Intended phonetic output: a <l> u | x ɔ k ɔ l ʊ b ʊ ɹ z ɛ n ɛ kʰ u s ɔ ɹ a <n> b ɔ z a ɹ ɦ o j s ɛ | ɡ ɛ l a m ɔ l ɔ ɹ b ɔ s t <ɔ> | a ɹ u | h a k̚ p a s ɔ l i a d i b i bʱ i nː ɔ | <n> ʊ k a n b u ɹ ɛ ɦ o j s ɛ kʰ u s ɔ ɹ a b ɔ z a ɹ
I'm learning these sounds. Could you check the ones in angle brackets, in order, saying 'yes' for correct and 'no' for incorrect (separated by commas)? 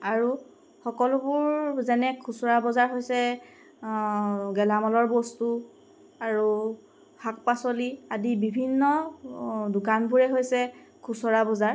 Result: no, no, no, no